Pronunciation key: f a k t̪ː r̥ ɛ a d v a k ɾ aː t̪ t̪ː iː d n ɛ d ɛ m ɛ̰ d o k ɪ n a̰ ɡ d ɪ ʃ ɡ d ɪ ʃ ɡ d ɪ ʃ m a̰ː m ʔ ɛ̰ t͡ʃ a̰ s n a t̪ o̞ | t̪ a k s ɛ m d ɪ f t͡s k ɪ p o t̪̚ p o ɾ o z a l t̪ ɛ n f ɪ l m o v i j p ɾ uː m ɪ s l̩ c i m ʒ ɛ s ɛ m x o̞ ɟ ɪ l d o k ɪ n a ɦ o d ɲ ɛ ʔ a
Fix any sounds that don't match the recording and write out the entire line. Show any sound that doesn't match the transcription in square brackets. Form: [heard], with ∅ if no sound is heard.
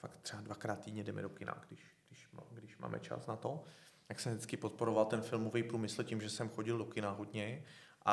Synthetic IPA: f a k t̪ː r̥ ɛ a d v a k ɾ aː t̪ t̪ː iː d [ɲ] ɛ d ɛ m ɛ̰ d o k ɪ n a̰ ɡ d ɪ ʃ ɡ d ɪ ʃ ɡ d ɪ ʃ m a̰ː m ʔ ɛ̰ t͡ʃ a̰ s n a t̪ o̞ | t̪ a k s ɛ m d ɪ [∅] t͡s k ɪ p o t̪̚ p o ɾ o [v] a l t̪ ɛ n f ɪ l m o v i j p ɾ uː m ɪ s l̩ c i m ʒ ɛ s ɛ m x o̞ ɟ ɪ l d o k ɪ n a ɦ o d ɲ ɛ ʔ a